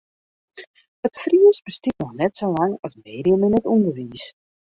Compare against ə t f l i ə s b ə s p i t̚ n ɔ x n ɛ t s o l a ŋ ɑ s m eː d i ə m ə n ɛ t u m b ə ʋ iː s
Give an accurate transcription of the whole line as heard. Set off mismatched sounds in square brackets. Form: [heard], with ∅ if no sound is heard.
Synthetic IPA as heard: ə t f [r] i ə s b ə s [t] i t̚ n ɔ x n ɛ t s o l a ŋ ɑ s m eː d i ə m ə n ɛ t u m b ə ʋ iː s

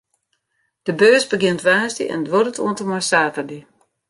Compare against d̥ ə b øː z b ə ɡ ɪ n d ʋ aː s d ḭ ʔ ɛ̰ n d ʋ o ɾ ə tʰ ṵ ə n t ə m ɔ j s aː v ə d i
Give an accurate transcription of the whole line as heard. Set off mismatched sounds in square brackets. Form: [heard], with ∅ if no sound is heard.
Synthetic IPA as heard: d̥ ə b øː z b ə ɡ ɪ n [t] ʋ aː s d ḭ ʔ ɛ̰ n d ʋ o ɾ ə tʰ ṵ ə n t ə m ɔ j s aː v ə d i

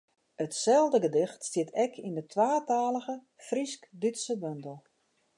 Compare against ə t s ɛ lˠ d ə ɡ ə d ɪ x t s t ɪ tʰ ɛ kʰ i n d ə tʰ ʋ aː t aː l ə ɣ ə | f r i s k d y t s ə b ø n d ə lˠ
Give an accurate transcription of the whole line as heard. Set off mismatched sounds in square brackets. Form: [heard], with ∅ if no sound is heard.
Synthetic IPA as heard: ə t s ɛ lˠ d ə ɡ ə d ɪ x t s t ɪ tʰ ɛ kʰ i n d ə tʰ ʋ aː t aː l ə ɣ ə | f r i s k d y t s ə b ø n d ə lˠ

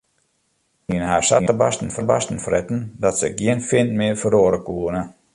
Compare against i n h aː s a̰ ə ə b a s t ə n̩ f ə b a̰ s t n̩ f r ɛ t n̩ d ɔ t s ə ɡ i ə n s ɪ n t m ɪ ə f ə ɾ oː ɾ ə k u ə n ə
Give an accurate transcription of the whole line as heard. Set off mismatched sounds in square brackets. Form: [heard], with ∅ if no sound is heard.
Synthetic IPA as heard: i n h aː s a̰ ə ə b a s t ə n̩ f ə b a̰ s t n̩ f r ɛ t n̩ d ɔ t s ə ɡ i ə n [f] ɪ n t m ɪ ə f ə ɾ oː ɾ ə k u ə n ə

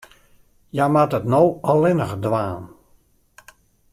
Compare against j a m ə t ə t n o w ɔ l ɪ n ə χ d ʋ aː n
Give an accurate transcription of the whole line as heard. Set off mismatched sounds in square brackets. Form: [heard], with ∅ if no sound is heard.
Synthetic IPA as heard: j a m [a] t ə t n o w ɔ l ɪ n ə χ d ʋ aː n

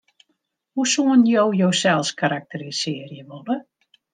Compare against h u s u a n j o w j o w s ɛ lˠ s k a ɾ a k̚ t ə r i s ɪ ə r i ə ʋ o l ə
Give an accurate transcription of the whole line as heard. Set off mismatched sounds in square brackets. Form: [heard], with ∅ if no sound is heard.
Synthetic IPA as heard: h u s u [ə] n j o w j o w s ɛ lˠ s k a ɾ a k̚ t ə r i s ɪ ə r [j] ə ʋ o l ə

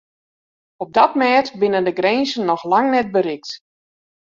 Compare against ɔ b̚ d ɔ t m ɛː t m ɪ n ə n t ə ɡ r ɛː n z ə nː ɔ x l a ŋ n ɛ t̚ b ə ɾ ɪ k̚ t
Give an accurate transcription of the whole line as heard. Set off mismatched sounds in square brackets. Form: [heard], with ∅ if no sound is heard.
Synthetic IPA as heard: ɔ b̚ d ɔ t m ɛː t [b] ɪ n ə n [d] ə ɡ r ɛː n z ə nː ɔ x l a ŋ n ɛ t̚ b ə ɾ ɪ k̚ t

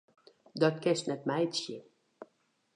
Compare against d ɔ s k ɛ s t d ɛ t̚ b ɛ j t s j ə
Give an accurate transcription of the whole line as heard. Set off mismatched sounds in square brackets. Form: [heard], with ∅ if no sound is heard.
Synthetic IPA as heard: d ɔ [t] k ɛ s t [n] ɛ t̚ [m] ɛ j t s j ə

